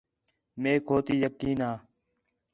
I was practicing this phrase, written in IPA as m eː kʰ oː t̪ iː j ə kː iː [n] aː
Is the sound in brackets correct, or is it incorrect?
correct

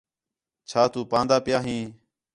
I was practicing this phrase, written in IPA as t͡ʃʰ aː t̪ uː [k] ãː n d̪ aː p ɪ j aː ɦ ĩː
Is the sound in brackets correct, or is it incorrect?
incorrect: p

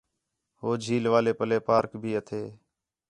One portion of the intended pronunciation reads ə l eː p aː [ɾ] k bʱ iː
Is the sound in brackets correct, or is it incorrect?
correct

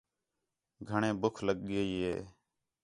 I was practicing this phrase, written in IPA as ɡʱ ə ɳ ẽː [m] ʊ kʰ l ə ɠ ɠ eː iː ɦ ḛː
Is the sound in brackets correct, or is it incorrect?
incorrect: b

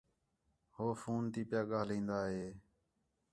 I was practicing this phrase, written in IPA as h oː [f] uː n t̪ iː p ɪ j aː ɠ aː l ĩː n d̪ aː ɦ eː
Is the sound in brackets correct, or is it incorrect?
correct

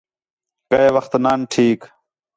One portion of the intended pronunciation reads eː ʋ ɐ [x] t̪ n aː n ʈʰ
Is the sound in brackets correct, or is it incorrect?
correct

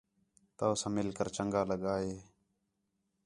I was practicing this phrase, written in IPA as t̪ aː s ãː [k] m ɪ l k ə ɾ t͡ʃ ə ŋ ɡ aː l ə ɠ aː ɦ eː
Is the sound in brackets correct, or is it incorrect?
incorrect: none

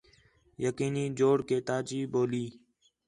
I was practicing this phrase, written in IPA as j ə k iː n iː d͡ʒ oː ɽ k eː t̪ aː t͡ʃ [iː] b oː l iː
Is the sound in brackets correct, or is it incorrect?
correct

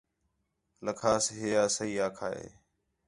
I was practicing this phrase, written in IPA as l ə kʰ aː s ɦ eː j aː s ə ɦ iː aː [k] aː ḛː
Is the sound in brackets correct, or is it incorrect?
incorrect: kʰ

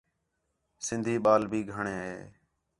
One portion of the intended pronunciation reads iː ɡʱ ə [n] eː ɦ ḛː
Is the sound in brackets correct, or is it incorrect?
incorrect: ɳ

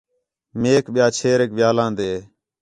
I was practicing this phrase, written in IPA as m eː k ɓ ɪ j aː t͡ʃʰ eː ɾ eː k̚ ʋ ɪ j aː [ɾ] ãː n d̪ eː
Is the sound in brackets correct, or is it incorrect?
incorrect: l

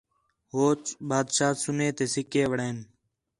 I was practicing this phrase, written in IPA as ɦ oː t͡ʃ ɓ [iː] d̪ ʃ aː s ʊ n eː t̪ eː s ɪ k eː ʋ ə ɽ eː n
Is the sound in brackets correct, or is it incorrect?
incorrect: aː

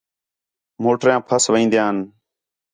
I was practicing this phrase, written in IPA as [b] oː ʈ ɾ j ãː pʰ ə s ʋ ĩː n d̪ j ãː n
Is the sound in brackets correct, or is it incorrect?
incorrect: m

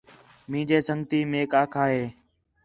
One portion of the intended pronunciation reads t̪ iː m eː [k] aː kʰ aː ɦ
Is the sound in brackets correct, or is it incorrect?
correct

